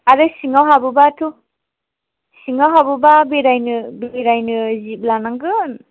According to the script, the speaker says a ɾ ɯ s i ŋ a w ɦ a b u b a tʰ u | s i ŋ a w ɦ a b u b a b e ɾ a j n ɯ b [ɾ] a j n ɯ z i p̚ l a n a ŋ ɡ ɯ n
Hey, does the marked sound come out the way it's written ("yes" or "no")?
yes